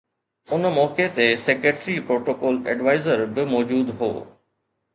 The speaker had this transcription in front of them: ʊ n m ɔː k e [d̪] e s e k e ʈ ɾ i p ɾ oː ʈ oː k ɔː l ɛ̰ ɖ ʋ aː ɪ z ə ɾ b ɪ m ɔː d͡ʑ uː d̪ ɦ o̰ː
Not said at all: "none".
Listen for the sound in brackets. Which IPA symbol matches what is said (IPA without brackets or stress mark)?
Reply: t̪